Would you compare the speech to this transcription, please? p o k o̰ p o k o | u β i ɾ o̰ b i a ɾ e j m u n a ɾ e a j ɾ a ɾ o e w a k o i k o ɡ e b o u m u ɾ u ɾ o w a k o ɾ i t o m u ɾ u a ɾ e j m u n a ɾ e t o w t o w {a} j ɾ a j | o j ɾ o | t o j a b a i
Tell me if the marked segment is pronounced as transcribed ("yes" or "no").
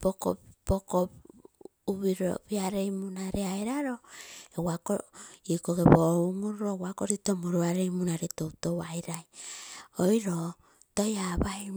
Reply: yes